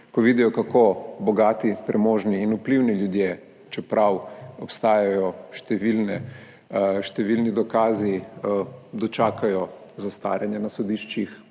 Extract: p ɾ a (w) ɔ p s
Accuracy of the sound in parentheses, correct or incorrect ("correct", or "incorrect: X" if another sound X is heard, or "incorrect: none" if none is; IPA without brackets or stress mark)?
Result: correct